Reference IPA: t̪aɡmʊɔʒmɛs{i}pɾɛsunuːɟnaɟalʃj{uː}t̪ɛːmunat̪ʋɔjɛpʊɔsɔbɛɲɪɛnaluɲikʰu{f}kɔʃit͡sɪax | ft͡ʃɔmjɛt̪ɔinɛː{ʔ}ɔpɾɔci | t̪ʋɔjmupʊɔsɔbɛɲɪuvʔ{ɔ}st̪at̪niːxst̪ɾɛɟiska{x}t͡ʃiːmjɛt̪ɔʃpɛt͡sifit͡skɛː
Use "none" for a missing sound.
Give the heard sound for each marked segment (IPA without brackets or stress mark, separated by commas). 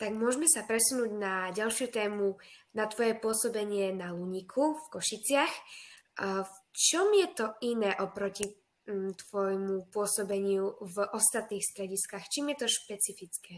a, u, f, ʔ, ɔ, x